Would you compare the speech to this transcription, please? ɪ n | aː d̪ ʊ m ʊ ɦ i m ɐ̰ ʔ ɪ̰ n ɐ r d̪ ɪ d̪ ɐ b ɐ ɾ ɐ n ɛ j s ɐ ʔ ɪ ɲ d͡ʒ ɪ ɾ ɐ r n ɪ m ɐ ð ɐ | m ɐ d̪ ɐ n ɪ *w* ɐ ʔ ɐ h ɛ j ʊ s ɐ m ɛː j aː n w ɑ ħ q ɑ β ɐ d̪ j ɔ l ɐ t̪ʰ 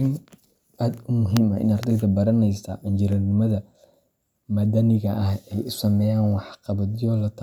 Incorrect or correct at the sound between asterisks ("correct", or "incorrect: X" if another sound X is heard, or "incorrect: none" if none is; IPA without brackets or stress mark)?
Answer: incorrect: ɣ